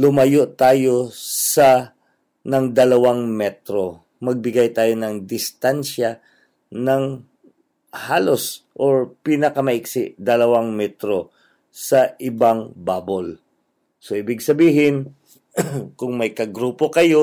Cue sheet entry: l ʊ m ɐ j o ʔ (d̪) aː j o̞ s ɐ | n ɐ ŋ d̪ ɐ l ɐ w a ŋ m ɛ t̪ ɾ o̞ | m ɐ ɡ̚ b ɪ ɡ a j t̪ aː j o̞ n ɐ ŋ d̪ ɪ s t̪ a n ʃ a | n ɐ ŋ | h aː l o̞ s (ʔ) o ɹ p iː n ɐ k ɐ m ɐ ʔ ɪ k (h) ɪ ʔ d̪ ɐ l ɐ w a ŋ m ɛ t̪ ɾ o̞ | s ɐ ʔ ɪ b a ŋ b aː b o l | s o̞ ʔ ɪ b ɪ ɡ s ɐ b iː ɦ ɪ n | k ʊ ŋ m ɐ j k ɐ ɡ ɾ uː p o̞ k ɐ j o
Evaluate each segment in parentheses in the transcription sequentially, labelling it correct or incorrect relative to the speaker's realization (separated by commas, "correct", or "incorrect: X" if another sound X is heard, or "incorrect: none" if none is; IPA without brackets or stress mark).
incorrect: t̪, correct, incorrect: s